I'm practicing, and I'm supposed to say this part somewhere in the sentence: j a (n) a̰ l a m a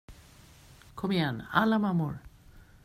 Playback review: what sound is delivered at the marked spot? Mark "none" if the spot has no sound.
n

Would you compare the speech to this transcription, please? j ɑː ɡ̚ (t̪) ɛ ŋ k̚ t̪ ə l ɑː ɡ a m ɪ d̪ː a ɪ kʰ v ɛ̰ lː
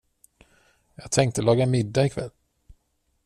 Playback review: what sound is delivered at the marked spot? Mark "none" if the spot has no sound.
t̪ʰ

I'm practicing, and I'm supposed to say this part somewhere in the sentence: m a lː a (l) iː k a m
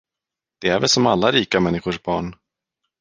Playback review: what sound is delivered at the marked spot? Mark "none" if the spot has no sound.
ɾ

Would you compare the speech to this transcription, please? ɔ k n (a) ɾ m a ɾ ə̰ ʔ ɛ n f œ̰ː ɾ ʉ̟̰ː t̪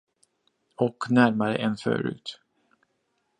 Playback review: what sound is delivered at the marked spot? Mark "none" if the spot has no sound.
æ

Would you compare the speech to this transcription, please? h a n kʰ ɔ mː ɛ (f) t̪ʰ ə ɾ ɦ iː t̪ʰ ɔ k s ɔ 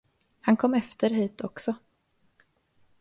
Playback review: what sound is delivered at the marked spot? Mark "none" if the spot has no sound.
f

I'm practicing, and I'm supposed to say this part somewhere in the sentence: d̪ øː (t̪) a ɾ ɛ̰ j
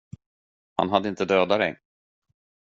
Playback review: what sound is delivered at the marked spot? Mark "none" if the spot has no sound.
d̪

